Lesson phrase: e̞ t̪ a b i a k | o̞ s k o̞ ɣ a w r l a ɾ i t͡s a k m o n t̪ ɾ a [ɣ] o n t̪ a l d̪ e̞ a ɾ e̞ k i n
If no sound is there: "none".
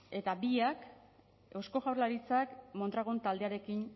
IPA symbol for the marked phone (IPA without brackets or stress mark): ɣ